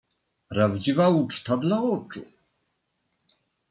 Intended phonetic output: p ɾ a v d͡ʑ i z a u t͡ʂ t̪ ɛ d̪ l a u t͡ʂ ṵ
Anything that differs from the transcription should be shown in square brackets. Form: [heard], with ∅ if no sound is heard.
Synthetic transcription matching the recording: p ɾ a v d͡ʑ i [v] a u t͡ʂ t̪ [a] d̪ l a [ɔ] t͡ʂ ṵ